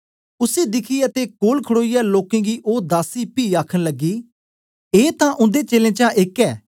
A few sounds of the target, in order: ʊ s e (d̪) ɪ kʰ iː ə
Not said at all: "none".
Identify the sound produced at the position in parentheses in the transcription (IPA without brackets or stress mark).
d̪